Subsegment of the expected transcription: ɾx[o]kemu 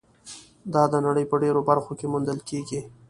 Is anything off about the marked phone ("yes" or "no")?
no